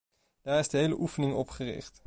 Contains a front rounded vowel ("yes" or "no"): no